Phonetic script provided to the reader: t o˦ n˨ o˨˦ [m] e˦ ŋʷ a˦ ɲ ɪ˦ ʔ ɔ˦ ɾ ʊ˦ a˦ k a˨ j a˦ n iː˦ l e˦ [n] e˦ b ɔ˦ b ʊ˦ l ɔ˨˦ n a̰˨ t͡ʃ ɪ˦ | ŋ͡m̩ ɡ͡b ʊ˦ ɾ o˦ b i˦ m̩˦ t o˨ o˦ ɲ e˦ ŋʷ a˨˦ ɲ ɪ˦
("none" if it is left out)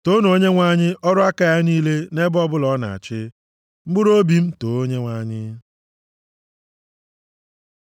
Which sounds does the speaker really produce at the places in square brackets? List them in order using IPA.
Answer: ɲ, n

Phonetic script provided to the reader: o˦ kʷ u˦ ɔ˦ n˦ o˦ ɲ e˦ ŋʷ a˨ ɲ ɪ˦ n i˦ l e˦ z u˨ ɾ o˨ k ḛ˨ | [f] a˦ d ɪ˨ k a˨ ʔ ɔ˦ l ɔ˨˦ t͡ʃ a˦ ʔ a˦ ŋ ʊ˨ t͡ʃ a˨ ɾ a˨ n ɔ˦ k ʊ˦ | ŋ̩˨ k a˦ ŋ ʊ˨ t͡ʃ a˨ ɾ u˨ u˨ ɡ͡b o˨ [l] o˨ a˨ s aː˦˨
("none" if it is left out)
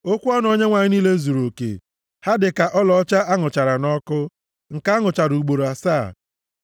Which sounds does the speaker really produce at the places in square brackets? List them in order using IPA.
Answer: h, ɾ

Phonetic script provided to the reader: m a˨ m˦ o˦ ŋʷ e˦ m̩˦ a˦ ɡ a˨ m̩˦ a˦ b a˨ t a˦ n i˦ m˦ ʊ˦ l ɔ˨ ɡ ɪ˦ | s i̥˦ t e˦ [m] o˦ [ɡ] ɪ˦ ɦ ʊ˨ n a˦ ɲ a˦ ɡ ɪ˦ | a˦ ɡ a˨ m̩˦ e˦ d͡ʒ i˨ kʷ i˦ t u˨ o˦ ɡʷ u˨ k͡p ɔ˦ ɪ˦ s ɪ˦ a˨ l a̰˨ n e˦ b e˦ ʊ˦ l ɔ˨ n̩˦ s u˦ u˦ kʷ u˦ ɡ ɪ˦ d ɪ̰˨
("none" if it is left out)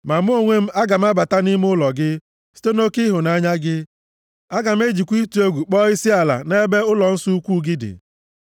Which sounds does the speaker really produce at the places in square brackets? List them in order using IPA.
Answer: n, k

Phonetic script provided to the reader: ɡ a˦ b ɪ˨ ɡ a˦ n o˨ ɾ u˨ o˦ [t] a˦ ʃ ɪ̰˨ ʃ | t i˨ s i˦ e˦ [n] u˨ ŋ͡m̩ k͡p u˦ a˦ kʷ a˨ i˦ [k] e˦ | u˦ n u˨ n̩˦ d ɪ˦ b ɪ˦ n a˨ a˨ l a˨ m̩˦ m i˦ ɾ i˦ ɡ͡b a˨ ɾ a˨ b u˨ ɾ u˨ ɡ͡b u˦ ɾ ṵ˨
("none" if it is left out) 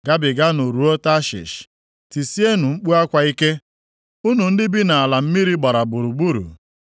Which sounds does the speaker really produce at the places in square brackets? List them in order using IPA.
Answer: t, n, k

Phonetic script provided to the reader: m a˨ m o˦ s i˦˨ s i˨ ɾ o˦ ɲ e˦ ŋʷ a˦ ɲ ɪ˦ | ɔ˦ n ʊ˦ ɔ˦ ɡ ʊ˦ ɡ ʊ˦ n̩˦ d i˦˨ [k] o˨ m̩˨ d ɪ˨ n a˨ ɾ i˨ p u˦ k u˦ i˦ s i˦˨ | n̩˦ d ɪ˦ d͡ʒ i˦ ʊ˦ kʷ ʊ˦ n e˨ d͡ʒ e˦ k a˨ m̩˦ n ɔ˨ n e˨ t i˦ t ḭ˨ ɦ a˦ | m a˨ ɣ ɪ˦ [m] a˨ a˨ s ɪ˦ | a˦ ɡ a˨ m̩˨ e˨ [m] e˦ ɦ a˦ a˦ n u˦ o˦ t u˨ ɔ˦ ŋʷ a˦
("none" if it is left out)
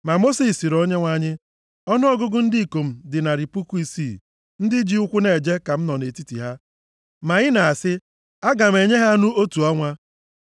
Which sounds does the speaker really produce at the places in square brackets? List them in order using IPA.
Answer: k, n, ɲ

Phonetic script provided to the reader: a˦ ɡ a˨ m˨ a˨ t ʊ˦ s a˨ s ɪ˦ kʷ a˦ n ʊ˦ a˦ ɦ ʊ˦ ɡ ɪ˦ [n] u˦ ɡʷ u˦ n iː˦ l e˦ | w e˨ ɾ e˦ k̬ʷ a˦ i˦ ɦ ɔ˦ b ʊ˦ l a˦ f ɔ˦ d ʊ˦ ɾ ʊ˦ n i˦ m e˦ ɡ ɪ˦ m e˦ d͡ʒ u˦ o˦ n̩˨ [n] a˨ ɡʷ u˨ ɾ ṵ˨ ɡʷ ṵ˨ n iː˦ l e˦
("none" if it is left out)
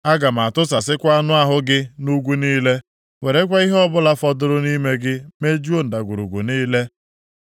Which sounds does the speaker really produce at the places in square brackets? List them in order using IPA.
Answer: n, d

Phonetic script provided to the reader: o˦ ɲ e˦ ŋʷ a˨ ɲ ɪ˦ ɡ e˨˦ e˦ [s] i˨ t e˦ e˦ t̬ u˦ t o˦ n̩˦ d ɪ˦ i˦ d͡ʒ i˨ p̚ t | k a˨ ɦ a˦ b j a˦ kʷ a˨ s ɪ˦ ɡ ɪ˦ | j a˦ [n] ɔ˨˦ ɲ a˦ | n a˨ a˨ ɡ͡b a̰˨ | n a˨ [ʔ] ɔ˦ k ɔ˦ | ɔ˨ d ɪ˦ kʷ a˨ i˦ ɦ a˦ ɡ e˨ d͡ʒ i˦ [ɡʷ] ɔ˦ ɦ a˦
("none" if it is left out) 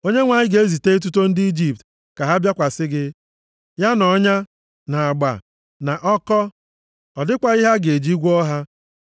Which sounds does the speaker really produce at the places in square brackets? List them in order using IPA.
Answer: z, n, ʔ, ɡʷ

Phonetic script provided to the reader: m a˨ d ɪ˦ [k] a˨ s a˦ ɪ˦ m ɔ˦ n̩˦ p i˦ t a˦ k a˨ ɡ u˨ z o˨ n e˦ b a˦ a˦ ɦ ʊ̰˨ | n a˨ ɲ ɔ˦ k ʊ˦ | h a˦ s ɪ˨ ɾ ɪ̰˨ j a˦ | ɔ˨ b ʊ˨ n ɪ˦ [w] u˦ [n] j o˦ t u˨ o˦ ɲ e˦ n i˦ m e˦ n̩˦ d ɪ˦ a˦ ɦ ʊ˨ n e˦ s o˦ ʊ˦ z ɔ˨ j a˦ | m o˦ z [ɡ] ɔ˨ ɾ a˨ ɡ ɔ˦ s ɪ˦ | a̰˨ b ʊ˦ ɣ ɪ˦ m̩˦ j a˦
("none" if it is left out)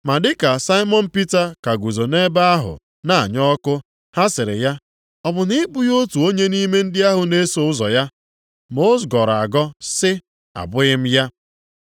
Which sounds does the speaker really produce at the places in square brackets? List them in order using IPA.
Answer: k, b, none, ɡ

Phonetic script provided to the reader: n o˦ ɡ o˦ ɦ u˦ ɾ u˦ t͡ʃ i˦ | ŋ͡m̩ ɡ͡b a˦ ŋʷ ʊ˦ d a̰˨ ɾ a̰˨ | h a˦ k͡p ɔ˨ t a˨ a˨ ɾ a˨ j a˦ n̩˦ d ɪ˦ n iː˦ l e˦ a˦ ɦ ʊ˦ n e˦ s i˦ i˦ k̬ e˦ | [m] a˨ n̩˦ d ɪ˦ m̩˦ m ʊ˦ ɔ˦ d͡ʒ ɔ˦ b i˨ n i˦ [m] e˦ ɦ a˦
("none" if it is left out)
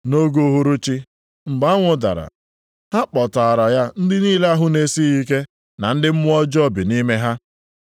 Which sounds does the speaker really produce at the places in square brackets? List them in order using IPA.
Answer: n, m

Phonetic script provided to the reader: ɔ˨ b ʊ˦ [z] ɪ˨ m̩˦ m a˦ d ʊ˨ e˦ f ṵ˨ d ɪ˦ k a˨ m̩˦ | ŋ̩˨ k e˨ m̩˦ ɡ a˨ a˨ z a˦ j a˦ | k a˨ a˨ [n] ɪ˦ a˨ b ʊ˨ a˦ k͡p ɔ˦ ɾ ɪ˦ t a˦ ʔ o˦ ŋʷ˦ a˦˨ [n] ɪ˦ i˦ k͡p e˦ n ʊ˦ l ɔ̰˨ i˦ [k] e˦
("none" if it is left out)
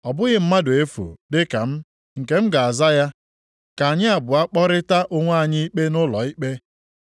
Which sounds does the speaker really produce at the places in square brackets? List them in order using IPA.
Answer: ɣ, ɲ, ɲ, k͡p

